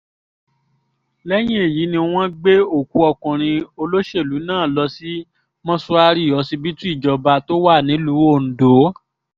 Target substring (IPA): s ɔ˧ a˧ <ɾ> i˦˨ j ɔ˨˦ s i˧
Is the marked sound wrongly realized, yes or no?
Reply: no